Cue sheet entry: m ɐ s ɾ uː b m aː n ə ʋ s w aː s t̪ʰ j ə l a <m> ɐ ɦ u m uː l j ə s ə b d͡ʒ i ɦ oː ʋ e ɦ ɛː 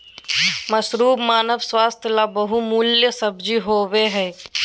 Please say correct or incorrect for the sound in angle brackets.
incorrect